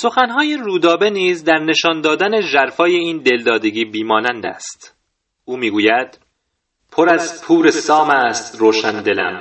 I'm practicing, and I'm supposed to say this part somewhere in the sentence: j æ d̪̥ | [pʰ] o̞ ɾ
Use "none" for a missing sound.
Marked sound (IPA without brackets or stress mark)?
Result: pʰ